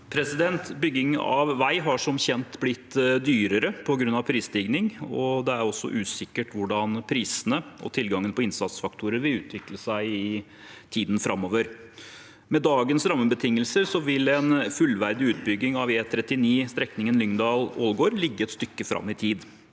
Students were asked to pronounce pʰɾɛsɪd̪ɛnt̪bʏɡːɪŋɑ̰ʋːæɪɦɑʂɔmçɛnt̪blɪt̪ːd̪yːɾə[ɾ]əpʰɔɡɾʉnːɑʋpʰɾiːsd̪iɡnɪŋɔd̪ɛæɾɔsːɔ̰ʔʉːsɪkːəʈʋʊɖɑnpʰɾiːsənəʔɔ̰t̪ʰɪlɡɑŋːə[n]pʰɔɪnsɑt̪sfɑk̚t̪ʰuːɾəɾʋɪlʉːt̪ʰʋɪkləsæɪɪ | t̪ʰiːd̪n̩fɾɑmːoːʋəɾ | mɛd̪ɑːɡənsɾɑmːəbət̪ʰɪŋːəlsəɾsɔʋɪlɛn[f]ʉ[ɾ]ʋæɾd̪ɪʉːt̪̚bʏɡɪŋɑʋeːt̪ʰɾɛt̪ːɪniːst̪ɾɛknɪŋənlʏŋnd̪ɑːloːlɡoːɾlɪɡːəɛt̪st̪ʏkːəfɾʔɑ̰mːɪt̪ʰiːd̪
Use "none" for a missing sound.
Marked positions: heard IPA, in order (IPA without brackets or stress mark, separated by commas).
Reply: ɾ, n, f, l